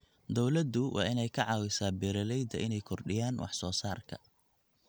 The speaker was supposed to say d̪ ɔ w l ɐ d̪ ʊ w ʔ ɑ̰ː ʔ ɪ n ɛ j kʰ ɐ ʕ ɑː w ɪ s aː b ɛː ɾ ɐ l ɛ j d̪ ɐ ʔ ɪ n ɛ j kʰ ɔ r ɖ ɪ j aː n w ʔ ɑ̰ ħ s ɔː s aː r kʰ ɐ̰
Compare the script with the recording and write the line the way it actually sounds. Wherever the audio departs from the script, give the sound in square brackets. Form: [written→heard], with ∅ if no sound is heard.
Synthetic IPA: d̪ ɔ w l ɐ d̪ ʊ w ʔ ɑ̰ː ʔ ɪ n ɛ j kʰ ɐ ʕ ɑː w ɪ s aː b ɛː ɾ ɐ l ɛ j d̪ ɐ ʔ ɪ n ɛ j kʰ ɔ r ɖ ɪ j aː n w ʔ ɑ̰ ħ s ɔː s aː r kʰ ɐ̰